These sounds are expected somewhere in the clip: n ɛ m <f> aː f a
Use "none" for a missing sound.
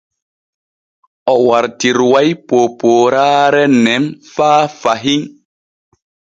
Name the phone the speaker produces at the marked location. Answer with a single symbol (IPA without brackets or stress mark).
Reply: f